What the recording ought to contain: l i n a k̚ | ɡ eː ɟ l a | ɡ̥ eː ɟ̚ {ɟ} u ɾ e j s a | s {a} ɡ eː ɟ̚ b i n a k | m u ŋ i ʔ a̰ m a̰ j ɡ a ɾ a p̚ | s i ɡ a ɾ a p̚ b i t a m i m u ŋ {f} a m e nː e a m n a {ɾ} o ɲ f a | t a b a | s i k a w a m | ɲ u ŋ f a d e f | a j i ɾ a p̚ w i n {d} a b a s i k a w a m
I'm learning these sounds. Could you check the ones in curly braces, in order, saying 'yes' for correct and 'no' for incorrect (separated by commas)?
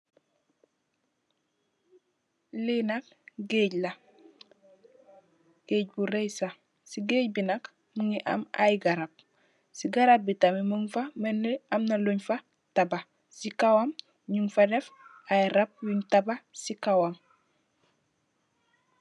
no, no, yes, no, no